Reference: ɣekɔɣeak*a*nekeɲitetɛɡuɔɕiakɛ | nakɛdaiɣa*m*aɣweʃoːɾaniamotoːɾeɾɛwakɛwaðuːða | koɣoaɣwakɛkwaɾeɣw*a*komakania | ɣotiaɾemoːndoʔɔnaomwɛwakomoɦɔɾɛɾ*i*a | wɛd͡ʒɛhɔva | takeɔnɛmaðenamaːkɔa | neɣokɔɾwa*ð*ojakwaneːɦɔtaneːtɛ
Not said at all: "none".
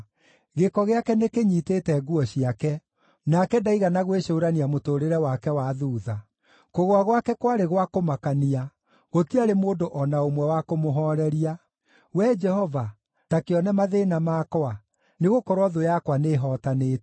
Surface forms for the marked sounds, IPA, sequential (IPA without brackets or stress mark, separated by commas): ɛ, n, a, i, ð